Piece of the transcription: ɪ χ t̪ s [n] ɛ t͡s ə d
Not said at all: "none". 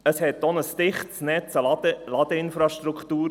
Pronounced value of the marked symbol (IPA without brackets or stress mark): n